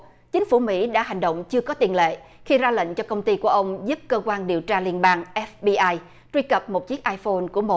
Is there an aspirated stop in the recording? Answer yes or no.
no